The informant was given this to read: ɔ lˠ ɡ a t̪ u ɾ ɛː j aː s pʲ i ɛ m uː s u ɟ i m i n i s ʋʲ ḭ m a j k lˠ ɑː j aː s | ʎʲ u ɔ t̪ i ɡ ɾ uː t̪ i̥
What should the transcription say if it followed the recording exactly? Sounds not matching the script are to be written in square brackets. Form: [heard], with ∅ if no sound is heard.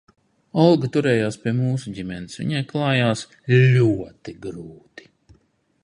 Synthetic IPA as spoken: ɔ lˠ ɡ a t̪ u ɾ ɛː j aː s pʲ i ɛ m uː s u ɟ i m [ɛ] n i s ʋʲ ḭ [ɲ] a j k lˠ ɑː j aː s | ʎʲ u ɔ t̪ i ɡ ɾ uː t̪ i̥